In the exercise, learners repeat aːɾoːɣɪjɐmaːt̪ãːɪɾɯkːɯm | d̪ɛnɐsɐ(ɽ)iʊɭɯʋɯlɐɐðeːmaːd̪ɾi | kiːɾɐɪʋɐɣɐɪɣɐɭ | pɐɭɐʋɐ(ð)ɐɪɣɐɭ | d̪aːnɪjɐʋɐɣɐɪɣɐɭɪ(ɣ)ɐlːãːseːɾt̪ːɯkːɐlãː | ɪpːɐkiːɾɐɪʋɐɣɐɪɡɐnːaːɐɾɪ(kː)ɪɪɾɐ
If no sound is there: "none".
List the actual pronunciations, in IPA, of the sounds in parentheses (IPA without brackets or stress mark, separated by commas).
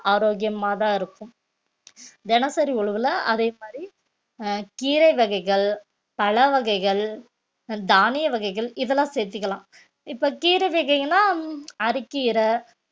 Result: ɾ, ɣ, ð, kː